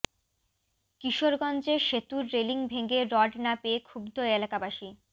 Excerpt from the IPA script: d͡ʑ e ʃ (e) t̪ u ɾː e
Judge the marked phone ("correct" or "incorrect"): correct